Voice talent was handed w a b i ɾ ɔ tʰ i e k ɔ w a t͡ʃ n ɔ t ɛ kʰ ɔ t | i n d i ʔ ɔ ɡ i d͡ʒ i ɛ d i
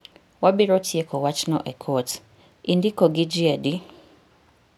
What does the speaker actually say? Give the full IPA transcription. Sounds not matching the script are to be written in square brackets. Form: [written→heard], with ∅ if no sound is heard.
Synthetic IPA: w a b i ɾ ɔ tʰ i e k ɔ w a t͡ʃ n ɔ [t→ʔ] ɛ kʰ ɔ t | i n d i [ʔ→k] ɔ ɡ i d͡ʒ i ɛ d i